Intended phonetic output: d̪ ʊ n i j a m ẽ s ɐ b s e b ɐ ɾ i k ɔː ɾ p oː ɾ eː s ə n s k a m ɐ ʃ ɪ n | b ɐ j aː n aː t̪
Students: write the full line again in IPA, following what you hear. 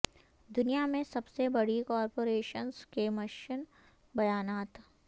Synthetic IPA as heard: d̪ ʊ n i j a m ẽ s ɐ b s e b ɐ ɽ i k ɔː ɾ p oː ɾ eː ʃ ə n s k e m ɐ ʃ ɪ n | b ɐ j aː n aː t̪

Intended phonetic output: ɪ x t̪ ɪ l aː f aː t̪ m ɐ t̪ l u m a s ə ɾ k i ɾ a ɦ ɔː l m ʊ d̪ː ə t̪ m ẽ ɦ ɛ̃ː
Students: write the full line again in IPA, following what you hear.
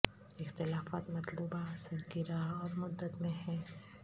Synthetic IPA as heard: ɪ x t̪ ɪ l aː f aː t̪ m ɐ t̪ l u b a s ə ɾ k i ɾ a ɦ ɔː ɾ m ʊ d̪ː ə t̪ m ẽ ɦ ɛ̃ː

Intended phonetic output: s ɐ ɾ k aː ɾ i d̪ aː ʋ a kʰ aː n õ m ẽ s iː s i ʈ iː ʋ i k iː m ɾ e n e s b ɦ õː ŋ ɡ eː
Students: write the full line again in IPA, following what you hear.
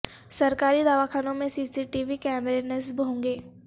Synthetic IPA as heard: s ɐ ɾ k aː ɾ i d̪ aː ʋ a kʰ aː n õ m ẽ s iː s i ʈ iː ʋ i k ɛː m ɾ e n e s b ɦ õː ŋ ɡ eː

